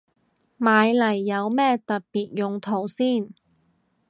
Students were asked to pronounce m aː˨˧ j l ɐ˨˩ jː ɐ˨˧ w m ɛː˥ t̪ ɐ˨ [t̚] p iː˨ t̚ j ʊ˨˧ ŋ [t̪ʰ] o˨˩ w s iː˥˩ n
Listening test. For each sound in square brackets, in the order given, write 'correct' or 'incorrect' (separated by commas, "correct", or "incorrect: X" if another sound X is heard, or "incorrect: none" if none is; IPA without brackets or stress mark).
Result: correct, correct